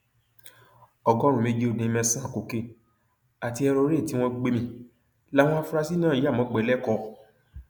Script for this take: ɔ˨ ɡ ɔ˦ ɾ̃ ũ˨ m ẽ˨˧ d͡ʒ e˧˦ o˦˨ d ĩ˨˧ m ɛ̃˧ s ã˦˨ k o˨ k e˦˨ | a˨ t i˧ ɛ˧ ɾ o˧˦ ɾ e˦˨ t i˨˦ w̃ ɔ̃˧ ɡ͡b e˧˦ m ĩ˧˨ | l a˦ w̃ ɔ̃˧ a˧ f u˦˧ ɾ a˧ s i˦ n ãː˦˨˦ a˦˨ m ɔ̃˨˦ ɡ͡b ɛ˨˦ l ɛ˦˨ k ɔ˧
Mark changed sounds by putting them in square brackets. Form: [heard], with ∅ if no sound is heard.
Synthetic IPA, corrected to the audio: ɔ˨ ɡ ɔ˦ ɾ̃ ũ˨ m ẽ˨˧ d͡ʒ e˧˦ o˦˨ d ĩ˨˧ m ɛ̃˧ s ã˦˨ k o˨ k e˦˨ | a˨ t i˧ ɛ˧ ɾ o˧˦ ɾ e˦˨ t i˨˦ w̃ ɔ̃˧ ɡ͡b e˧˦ m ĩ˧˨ | l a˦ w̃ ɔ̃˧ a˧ f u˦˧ ɾ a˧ s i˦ n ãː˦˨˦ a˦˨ m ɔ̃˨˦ ɡ͡b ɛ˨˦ l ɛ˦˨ k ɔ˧